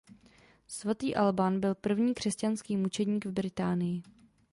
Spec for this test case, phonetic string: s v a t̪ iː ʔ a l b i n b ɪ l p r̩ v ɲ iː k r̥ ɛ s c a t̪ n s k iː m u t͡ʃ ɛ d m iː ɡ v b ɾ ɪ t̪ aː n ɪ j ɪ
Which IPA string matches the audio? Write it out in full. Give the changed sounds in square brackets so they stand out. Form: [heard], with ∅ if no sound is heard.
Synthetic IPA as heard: s v a t̪ iː ʔ a l b [a] n b ɪ l p r̩ v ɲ iː k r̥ ɛ s c a [∅] n s k iː m u t͡ʃ ɛ d [ɲ] iː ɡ v b ɾ ɪ t̪ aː n ɪ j ɪ